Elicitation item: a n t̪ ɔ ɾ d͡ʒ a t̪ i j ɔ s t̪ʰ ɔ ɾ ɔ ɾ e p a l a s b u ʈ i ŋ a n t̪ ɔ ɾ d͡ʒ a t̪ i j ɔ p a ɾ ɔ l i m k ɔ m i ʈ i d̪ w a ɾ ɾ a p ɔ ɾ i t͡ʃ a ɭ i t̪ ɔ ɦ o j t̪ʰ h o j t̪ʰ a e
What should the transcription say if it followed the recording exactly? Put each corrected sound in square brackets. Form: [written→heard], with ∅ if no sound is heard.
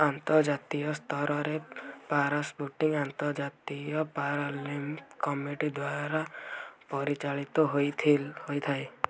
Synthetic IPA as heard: a n t̪ ɔ ɾ d͡ʒ a t̪ i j ɔ s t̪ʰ ɔ ɾ ɔ ɾ e p a [l→ɾ] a s b u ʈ i ŋ a n t̪ ɔ ɾ d͡ʒ a t̪ i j ɔ p a ɾ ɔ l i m k ɔ m i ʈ i d̪ w a ɾ ɾ a p ɔ ɾ i t͡ʃ a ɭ i t̪ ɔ ɦ o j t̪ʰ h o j t̪ʰ a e